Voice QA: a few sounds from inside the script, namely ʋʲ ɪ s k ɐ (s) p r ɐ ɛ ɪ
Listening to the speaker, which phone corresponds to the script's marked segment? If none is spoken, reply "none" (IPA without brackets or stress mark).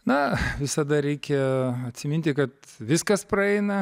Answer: s